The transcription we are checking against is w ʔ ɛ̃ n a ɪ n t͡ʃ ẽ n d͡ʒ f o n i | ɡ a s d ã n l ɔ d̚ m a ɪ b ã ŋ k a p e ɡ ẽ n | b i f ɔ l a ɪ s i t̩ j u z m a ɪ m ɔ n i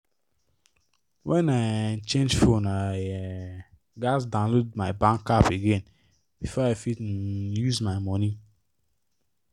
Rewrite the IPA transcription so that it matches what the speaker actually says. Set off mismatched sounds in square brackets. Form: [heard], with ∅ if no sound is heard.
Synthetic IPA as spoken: w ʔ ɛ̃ n a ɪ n t͡ʃ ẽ n d͡ʒ f o n [a] | ɡ a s d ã n l [o] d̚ m a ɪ b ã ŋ k a p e ɡ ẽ n | b i f ɔ [∅] a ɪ [f] i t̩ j u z m a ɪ m ɔ n i